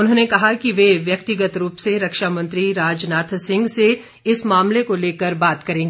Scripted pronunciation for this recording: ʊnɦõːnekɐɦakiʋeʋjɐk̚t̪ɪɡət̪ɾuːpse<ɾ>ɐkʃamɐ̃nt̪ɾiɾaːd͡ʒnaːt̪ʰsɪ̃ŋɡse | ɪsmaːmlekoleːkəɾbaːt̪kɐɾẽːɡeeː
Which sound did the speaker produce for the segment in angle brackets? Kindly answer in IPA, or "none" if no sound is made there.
ɾ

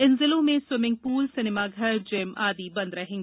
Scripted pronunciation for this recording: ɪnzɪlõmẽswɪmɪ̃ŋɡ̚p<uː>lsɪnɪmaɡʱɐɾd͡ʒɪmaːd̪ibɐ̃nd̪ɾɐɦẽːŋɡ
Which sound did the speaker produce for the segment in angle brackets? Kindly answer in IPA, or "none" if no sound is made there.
uː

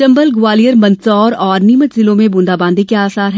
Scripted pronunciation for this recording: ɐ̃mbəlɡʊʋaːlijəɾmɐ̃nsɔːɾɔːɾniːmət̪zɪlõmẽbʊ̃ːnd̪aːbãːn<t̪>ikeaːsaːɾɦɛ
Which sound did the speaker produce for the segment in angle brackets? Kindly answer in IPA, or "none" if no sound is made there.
d̪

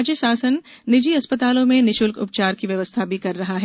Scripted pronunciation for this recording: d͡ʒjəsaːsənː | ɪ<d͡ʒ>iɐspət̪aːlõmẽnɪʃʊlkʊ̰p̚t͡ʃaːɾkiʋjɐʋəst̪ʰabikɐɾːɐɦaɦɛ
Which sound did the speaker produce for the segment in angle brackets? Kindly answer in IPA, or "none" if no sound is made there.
d͡ʒ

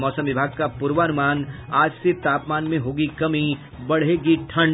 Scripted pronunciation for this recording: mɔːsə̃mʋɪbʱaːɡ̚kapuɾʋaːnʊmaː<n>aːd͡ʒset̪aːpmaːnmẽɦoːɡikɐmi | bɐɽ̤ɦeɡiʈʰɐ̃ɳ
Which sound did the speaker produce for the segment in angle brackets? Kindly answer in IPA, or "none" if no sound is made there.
n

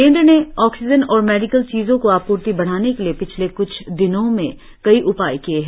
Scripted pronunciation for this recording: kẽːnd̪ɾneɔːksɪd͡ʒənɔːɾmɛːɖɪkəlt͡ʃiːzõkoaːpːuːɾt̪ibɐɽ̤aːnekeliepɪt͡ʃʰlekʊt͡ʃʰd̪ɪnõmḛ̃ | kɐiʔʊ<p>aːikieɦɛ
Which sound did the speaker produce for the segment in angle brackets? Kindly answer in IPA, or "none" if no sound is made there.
p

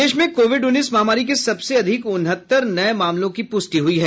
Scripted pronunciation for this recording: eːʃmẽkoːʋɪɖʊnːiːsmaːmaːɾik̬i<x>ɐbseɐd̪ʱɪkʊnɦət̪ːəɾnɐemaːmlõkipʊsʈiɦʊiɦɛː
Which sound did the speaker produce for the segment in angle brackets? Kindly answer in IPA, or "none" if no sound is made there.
s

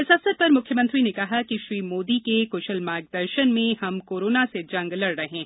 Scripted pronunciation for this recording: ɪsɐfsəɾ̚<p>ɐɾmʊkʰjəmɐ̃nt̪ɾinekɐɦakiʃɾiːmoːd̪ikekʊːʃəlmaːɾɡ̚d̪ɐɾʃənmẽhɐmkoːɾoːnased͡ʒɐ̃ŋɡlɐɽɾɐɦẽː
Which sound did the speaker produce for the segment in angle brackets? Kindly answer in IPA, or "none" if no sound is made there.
p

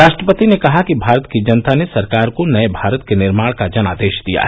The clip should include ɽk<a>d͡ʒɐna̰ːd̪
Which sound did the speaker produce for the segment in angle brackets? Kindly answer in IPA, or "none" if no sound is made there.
a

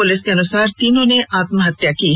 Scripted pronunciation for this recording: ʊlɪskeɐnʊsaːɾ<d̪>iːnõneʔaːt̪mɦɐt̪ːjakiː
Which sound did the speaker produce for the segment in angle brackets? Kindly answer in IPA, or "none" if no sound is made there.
t̪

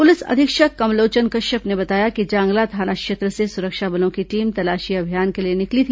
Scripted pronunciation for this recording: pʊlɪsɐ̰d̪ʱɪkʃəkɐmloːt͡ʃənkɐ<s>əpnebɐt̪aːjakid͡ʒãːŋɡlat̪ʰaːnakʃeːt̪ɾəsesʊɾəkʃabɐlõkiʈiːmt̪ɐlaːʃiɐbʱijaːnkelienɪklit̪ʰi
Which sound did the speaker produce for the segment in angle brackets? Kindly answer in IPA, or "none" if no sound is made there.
ʃ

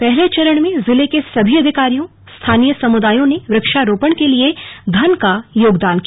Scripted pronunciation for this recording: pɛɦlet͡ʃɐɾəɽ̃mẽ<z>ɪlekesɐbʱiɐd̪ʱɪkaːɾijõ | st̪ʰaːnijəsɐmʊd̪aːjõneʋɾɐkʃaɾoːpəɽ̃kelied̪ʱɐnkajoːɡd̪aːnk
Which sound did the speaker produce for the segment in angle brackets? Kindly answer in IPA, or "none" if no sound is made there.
z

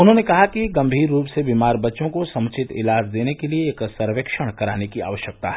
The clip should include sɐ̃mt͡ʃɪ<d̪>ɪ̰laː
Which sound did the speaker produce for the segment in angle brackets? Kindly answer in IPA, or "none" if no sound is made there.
t̪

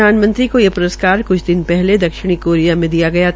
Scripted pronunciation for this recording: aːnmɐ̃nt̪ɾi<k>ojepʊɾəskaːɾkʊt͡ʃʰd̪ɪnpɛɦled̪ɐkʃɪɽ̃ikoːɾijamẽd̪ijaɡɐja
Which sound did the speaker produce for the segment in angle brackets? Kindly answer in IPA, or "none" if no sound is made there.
k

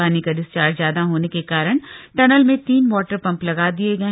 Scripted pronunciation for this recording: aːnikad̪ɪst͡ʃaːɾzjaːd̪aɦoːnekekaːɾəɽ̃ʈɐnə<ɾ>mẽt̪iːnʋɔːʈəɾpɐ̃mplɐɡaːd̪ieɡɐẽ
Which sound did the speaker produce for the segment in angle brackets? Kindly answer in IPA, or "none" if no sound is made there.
l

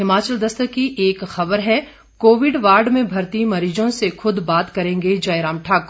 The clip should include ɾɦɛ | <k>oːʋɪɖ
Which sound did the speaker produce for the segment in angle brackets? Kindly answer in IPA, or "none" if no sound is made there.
k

